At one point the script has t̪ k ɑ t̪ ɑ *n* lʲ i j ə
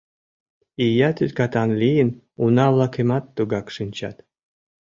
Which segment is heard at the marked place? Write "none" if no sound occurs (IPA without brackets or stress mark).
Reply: n